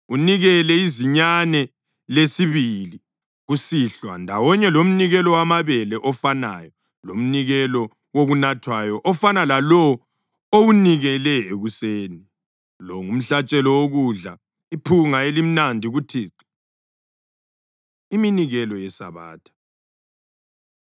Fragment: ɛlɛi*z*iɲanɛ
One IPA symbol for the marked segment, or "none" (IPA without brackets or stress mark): z